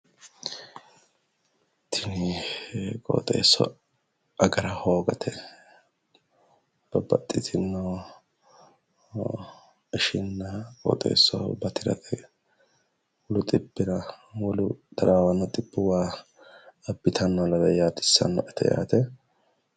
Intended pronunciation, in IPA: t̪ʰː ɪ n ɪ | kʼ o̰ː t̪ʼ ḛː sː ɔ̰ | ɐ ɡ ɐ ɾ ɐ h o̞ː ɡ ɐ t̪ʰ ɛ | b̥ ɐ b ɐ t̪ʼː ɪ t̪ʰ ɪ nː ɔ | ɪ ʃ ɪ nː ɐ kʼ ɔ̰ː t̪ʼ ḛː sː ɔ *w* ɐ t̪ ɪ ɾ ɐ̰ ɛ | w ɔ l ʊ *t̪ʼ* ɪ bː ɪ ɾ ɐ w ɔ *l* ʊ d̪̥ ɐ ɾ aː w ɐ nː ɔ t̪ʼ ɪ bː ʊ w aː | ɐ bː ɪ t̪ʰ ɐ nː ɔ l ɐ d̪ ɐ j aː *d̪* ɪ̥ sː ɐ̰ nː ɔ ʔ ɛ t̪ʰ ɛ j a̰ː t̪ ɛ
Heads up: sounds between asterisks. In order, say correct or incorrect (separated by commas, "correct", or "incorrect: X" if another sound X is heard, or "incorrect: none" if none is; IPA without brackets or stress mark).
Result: incorrect: b, correct, correct, incorrect: t̪